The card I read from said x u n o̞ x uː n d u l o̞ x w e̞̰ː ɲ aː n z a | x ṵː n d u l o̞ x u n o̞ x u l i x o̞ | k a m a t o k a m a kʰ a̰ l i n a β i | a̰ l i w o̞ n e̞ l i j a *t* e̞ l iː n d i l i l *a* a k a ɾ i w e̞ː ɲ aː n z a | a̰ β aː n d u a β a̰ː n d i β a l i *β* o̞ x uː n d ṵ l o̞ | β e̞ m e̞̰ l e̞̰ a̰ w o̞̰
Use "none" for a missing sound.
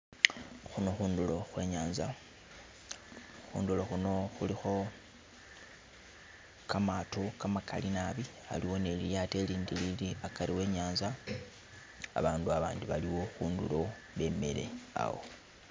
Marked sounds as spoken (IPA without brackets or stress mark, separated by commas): t, i, w